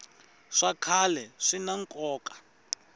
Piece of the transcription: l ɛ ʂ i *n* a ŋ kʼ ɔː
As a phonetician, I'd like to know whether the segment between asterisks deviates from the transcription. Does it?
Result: no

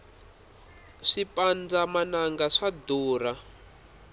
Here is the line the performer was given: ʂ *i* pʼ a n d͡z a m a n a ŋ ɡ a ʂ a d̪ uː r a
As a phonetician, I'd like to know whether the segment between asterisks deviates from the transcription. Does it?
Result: no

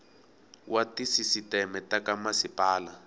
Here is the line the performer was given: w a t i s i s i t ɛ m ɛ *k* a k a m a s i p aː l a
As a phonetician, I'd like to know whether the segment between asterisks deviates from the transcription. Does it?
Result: yes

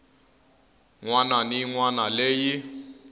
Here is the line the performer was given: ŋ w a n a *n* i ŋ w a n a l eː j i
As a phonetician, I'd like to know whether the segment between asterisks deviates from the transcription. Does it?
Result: no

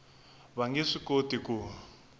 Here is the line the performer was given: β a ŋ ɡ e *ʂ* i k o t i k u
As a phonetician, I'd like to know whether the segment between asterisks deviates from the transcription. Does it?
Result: no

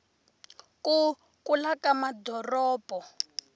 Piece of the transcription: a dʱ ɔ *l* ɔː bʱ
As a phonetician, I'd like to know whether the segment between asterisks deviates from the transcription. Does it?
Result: yes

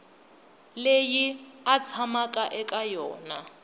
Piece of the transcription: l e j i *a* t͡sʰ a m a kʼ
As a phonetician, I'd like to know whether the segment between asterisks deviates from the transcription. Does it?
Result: no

